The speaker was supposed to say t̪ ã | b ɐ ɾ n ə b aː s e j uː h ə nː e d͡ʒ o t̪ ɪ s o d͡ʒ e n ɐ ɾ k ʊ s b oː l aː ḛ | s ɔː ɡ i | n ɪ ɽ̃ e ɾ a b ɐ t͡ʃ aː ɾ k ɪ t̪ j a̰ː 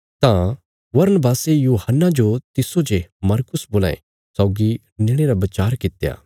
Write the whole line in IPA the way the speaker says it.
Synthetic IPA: t̪ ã | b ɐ ɾ n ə b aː s e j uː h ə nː a d͡ʒ o t̪ ɪ s o d͡ʒ e m ɐ ɾ k ʊ s b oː l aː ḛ | s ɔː ɡ i | n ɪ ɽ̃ e ɾ a b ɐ t͡ʃ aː ɾ k ɪ t̪ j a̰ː